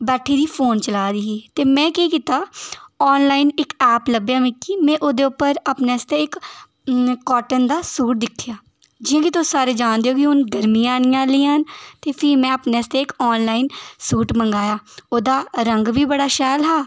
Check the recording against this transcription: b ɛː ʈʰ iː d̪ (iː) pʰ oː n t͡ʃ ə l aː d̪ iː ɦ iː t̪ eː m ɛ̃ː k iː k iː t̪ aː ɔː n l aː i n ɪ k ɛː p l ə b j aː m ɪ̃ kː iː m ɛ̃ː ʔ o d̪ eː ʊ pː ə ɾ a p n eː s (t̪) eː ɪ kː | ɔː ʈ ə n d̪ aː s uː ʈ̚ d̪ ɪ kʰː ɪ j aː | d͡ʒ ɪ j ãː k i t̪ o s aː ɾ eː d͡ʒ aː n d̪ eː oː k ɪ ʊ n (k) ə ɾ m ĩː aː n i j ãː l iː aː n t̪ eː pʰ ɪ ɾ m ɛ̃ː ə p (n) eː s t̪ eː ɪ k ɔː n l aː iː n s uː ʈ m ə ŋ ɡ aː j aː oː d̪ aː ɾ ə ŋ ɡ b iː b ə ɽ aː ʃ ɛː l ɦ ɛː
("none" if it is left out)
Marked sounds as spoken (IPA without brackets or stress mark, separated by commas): iː, t̪, ɡ, n